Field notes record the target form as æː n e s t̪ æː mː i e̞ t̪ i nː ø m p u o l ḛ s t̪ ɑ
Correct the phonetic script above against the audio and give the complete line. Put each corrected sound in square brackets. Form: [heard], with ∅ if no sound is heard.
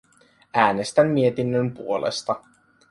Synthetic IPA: æː n e s t̪ [æ] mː i e̞ t̪ i nː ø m p u o l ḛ s t̪ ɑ